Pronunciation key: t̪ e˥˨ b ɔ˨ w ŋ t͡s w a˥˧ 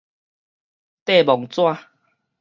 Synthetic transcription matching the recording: t̪ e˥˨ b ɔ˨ ŋ t͡s w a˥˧